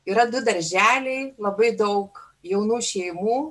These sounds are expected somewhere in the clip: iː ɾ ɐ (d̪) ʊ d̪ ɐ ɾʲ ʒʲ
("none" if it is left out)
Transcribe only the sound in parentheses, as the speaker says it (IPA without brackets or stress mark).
d̪